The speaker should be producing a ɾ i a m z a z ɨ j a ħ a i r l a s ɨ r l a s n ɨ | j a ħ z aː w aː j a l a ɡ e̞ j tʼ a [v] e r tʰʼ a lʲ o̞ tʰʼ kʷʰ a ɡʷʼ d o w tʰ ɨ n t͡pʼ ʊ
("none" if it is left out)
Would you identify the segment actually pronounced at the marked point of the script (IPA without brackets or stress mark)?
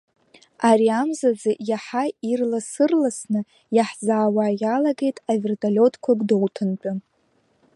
v